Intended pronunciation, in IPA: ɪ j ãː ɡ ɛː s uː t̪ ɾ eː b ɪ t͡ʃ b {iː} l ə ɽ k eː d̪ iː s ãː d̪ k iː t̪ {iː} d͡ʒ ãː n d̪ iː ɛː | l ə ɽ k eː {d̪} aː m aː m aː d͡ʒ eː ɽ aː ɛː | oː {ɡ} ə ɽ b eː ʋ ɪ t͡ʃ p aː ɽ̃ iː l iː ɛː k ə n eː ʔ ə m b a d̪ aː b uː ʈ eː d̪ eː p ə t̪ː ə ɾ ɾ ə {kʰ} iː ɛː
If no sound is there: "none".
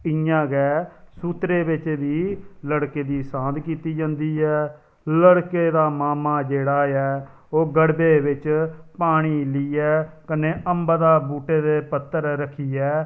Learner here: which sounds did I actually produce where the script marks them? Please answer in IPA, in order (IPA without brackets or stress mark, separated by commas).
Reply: iː, iː, d̪, ɡ, kʰ